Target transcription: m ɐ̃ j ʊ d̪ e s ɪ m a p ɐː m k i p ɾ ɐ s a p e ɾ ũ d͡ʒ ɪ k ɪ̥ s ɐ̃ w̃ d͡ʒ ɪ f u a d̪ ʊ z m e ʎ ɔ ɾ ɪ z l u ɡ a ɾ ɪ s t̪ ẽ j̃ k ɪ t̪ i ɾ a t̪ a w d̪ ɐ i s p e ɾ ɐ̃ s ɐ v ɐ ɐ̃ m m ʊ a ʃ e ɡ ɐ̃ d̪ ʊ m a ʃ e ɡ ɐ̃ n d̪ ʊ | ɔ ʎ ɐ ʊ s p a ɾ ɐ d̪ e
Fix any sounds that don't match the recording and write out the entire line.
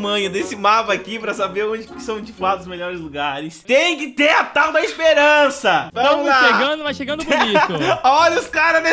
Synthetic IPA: m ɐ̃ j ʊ d̪ e s ɪ m a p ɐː k i p ɾ ɐ s a b e ɾ õ d͡ʒ ɪ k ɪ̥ s ɐ̃ w̃ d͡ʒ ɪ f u a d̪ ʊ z m e ʎ ɔ ɾ ɪ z l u ɡ a ɾ ɪ s t̪ ẽ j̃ k ɪ t̪ e ɾ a t̪ a w d̪ ɐ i s p e ɾ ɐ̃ s ɐ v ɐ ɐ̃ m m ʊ a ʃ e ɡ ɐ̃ d̪ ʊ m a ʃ e ɡ ɐ̃ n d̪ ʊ | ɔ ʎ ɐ ʊ s k a ɾ ɐ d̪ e